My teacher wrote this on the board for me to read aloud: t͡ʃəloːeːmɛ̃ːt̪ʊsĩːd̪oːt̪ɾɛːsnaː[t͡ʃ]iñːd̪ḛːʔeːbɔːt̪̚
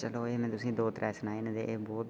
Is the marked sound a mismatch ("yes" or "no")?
yes